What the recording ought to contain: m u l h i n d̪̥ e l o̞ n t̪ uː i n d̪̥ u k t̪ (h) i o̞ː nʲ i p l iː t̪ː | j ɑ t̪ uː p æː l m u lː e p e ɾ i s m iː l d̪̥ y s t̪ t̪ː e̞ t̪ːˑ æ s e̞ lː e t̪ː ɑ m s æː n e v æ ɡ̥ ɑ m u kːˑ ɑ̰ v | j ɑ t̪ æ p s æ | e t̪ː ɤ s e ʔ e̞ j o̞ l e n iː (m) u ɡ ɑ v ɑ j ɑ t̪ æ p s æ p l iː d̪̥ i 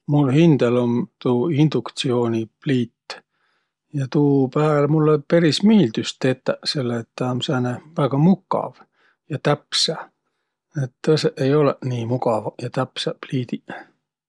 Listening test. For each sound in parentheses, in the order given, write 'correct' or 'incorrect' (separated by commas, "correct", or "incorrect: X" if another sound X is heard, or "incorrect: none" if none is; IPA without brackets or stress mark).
incorrect: s, correct